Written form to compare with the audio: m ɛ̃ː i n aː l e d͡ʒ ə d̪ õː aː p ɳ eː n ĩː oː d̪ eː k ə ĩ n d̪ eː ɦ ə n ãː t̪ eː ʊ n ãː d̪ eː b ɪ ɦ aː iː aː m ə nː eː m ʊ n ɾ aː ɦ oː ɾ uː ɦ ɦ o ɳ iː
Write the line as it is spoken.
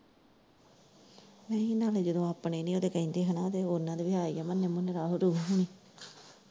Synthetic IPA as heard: m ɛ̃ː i n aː l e d͡ʒ ə d̪ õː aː p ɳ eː n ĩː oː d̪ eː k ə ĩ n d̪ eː ɦ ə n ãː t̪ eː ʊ n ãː d̪ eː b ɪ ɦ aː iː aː m ə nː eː m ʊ n ɾ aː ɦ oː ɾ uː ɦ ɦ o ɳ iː

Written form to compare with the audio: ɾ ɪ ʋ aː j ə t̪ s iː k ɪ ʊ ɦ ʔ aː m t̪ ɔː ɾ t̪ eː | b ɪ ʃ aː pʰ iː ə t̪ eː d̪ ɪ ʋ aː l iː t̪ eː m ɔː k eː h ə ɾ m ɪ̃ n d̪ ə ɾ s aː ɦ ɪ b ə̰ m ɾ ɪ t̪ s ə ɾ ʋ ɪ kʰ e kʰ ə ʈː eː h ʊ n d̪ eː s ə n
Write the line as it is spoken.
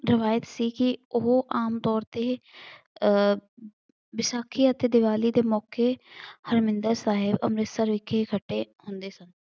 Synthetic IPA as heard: ɾ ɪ ʋ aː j ə t̪ s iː k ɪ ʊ ɦ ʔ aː m t̪ ɔː ɾ t̪ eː | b ɪ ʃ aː kʰ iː ə t̪ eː d̪ ɪ ʋ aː l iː d̪ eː m ɔː k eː h ə ɾ m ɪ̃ n d̪ ə ɾ s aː ɦ ɪ b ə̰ m ɾ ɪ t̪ s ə ɾ ʋ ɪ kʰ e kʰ ə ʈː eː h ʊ n d̪ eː s ə n

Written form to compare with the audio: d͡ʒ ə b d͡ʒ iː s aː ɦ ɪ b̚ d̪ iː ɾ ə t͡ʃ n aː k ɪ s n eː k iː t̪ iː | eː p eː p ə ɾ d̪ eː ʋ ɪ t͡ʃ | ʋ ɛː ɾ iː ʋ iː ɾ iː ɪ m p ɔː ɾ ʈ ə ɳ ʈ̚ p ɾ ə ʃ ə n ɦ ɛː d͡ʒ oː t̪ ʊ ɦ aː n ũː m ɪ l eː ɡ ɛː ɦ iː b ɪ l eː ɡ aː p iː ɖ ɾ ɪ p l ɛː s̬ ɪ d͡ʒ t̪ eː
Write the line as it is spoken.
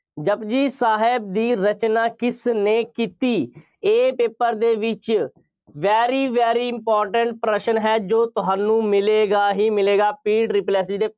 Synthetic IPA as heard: d͡ʒ ə b d͡ʒ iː s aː ɦ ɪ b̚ d̪ iː ɾ ə t͡ʃ n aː k ɪ s n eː k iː t̪ iː | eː p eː p ə ɾ d̪ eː ʋ ɪ t͡ʃ | ʋ ɛː ɾ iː ʋ ɛː ɾ iː ɪ m p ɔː ɾ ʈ ə ɳ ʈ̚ p ɾ ə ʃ ə n ɦ ɛː d͡ʒ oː t̪ ʊ ɦ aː n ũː m ɪ l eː ɡ aː ɦ iː m ɪ l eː ɡ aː p iː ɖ ɾ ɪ p l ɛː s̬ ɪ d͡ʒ d̪ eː

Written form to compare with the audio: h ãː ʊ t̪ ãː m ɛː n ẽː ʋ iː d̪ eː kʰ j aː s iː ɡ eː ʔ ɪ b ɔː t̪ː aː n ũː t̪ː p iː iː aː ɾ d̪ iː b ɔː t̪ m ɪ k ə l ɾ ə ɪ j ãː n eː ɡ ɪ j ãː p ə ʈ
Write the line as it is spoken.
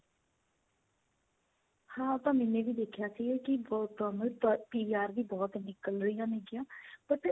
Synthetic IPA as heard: h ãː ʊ t̪ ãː m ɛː n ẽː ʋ iː d̪ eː kʰ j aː s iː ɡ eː k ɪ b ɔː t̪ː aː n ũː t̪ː p iː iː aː ɾ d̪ iː b ɔː t̪ n ɪ k ə l ɾ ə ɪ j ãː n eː ɡ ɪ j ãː p ə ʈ

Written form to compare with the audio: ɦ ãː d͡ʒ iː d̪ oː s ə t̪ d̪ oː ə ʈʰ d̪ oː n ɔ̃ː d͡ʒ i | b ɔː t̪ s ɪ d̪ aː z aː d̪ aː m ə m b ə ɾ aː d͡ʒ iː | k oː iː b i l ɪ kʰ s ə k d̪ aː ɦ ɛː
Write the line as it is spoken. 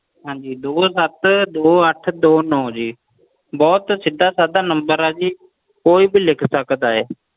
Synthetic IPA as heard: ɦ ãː d͡ʒ iː d̪ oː s ə t̪ d̪ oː ə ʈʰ d̪ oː n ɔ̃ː d͡ʒ iː | b ɔː t̪ s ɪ d̪ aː s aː d̪ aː n ə m b ə ɾ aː d͡ʒ iː | k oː iː b i l ɪ kʰ s ə k d̪ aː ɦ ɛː

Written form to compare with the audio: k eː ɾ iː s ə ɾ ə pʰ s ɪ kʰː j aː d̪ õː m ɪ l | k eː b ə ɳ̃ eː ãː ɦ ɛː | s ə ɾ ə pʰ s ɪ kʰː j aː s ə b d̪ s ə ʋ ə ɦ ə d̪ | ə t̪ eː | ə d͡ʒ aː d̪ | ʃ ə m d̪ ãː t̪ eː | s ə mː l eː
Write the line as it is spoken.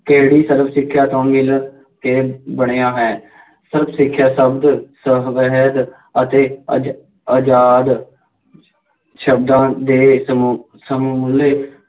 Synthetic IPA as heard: k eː ɽ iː s ə ɾ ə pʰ s ɪ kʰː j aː t̪ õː m ɪ l | k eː b ə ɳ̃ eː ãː ɦ ɛː | s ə ɾ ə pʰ s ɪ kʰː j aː s ə b d̪ s ə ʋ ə ɦ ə d̪ | ə t̪ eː | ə d͡ʒ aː d̪ | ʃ ə b d̪ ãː d̪ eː | s ə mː l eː

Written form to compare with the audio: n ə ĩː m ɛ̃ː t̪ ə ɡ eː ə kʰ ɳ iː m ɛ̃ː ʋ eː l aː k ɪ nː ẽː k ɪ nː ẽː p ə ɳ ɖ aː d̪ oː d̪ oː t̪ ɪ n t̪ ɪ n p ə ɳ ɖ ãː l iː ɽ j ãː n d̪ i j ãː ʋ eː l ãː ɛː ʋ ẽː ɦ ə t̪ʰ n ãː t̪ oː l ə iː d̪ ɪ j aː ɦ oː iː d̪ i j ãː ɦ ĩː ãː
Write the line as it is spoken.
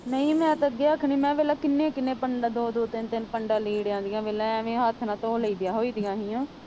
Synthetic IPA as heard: n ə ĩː m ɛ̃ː t̪ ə ɡ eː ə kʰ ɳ iː m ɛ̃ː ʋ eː l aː k ɪ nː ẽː k ɪ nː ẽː p ə ɳ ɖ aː d̪ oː d̪ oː t̪ ɪ n t̪ ɪ n p ə ɳ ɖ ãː l iː ɽ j ãː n d̪ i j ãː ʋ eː l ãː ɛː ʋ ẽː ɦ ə t̪ʰ n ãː t̪ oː l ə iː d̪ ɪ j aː ɦ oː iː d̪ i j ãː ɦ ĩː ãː

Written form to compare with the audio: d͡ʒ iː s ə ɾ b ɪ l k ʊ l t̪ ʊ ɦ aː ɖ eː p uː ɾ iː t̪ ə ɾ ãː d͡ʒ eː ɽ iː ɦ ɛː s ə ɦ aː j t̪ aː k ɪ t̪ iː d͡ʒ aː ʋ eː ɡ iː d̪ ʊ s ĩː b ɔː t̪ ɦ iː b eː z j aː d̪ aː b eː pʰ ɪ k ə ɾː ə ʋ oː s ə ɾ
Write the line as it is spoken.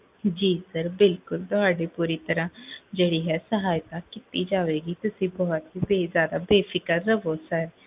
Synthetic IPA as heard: d͡ʒ iː s ə ɾ b ɪ l k ʊ l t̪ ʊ ɦ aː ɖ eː p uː ɾ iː t̪ ə ɾ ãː d͡ʒ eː ɽ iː ɦ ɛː s ə ɦ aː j t̪ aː k ɪ t̪ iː d͡ʒ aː ʋ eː ɡ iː t̪ ʊ s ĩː b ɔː t̪ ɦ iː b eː z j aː d̪ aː b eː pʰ ɪ k ə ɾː ə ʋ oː s ə ɾ

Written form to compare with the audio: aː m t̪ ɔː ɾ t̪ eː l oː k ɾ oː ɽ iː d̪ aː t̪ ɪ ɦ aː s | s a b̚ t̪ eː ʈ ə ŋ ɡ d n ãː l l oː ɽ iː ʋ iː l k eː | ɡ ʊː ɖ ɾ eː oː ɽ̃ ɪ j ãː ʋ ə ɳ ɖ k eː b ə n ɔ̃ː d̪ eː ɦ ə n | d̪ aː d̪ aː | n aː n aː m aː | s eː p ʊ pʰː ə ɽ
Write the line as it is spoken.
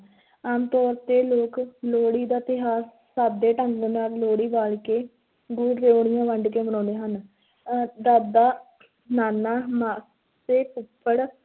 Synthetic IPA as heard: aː m t̪ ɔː ɾ t̪ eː l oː k l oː ɽ iː d̪ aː t̪ ɪ ɦ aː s | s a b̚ d̪ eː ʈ ə ŋ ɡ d n aː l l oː ɽ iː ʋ aː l k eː | ɡ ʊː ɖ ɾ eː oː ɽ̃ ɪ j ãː ʋ ə ɳ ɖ k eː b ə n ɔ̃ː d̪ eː ɦ ə n | d̪ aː d̪ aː | n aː n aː m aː | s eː p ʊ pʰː ə ɽ

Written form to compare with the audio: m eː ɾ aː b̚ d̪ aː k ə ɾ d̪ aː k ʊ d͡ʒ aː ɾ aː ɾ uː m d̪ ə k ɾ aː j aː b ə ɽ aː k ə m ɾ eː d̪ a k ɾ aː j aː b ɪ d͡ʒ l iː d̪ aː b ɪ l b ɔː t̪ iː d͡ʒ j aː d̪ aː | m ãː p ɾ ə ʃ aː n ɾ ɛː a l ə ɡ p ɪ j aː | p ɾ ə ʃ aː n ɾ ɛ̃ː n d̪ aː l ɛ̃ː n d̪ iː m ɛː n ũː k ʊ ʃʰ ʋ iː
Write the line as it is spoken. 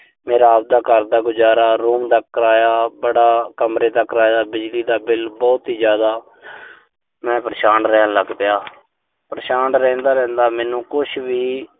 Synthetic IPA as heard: m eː ɾ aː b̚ d̪ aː k ə ɾ d̪ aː ɡ ʊ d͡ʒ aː ɾ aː ɾ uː m d̪ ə k ɾ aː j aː b ə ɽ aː k ə m ɾ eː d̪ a k ɾ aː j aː b ɪ d͡ʒ l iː d̪ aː b ɪ l b ɔː t̪ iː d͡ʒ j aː d̪ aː | m ɛ̃ː p ɾ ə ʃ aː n ɾ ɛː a l ə ɡ p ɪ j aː | p ɾ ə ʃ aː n ɾ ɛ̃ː n d̪ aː ɾ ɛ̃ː n d̪ aː m ɛː n ũː k ʊ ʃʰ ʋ iː

